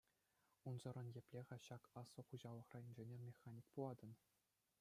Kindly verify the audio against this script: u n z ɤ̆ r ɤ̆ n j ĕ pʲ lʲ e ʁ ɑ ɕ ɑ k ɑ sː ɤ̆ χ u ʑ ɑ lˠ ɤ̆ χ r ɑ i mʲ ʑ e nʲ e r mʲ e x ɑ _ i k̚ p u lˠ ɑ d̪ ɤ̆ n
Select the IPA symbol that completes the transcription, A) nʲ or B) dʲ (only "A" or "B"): A